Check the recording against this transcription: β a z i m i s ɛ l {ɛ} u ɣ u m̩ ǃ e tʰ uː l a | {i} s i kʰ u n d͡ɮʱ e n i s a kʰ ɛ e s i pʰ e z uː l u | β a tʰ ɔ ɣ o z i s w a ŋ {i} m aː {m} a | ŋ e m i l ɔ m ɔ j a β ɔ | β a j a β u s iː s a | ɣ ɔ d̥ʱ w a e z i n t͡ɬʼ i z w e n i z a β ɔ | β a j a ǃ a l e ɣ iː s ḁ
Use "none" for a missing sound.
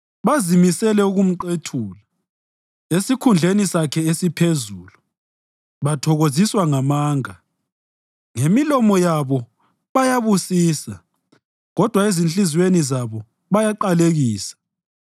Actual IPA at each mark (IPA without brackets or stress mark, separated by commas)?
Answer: ɛ, e, a, ŋ